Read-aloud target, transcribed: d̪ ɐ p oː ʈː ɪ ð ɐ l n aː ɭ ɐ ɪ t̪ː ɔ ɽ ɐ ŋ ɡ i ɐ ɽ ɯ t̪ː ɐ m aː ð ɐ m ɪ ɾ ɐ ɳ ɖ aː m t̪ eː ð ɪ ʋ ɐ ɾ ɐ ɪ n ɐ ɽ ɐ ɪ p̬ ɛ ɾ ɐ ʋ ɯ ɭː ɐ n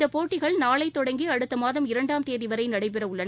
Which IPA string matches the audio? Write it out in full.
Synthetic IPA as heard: d̪ ɐ p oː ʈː ɪ ɣ ɐ ɭ n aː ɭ ɐ ɪ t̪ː ɔ ɽ ɐ ŋ ɡ i ɐ ɽ ɯ t̪ː ɐ m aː ð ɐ m ɪ ɾ ɐ ɳ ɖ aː m t̪ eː ð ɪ ʋ ɐ ɾ ɐ ɪ n ɐ ɽ ɐ ɪ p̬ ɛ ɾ ɐ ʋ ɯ ɭː ɐ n